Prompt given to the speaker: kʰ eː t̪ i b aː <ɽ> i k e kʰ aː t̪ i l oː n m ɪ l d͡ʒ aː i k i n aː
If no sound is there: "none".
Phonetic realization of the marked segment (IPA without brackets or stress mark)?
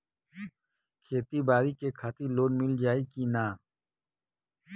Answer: ɾ